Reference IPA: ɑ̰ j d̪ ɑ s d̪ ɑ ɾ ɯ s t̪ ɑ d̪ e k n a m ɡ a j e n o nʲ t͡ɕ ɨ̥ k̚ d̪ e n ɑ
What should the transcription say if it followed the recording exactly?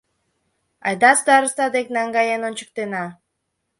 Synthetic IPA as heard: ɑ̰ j d̪ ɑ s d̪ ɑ ɾ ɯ s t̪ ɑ d̪ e k n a ŋ ɡ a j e n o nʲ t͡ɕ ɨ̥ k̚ t̪ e n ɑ